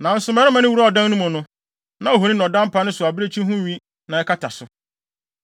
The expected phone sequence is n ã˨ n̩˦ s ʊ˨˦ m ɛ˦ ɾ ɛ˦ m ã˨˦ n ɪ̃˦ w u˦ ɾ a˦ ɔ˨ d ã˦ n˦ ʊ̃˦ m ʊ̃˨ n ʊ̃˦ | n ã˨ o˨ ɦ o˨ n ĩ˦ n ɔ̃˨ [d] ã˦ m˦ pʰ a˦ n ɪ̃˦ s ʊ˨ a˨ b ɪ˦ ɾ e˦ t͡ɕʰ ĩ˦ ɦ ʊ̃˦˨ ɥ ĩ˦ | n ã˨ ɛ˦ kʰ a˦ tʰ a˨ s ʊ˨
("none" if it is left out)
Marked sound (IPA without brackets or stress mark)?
d